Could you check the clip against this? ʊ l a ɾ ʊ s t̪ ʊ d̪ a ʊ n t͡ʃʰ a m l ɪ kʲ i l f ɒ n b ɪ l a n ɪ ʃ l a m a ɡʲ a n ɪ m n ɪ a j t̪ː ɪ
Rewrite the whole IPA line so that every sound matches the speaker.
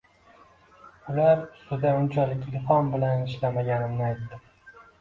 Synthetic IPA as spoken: ʊ l a ɾ ʊ s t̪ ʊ d̪ a ʊ n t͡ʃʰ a l ɪ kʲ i l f ɒ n b ɪ l a n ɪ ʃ l a m a ɡʲ a n ɪ m n ɪ a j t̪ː ɪ